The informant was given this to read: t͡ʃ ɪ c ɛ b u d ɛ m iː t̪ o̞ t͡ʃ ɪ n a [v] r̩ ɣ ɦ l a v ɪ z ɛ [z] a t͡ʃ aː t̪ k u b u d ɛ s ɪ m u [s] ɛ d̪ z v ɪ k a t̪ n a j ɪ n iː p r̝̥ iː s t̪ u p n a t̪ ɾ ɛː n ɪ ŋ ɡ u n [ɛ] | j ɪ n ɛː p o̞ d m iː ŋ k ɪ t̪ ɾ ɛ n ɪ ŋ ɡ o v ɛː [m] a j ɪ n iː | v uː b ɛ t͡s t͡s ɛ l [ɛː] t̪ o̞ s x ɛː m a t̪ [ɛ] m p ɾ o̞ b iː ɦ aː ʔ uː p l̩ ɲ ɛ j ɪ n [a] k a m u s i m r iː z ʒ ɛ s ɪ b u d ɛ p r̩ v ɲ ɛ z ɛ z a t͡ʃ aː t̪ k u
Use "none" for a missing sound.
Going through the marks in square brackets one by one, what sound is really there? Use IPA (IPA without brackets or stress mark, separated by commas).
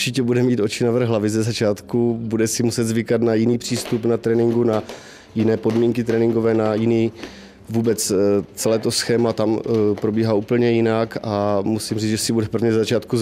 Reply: v, z, s, a, n, ɛː, a, a